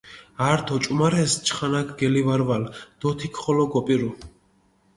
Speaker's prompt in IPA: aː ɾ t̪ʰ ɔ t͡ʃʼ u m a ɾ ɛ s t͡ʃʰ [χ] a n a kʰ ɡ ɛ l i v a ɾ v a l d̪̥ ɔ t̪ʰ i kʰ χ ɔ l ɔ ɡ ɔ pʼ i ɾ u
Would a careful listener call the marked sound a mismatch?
no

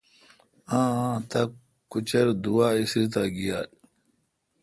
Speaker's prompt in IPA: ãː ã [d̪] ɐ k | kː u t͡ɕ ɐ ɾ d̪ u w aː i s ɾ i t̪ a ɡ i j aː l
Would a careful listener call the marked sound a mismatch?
yes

